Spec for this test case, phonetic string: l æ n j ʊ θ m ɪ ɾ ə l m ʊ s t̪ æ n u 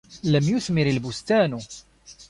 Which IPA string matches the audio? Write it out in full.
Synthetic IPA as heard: l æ m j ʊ θ m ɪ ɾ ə l b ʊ s t̪ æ n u